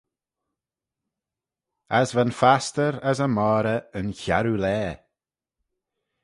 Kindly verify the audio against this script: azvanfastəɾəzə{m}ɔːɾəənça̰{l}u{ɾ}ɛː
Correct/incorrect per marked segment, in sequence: correct, incorrect: ɾ, incorrect: l

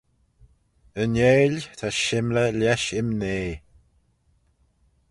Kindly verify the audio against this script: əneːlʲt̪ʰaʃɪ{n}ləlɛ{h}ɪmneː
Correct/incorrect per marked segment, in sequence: incorrect: m, incorrect: ʃ

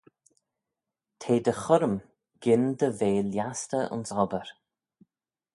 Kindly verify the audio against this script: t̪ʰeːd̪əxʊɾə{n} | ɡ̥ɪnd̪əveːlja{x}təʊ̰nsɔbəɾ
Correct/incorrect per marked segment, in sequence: incorrect: m, incorrect: s

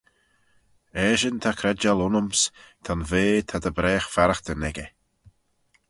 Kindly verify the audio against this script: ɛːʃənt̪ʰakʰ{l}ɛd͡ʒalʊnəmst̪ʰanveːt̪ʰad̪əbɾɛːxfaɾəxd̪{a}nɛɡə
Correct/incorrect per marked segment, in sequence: incorrect: ɾ, incorrect: ə

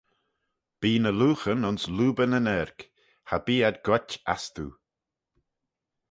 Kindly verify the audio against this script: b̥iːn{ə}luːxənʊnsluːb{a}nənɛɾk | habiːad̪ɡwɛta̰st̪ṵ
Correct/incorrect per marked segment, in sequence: correct, incorrect: ə

